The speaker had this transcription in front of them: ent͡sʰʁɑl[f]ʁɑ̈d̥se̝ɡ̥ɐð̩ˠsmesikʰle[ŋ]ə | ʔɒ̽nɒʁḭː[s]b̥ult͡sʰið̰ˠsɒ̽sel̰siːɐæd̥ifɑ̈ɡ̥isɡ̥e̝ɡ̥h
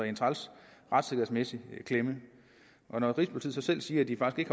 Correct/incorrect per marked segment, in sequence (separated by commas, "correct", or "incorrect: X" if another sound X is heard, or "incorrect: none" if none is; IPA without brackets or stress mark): incorrect: s, incorrect: m, correct